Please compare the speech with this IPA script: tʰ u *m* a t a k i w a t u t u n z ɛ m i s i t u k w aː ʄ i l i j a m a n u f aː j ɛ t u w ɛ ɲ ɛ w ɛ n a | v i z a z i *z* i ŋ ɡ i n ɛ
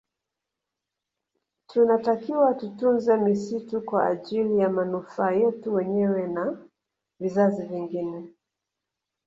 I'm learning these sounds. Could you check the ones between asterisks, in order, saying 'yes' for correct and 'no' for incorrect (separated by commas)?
no, no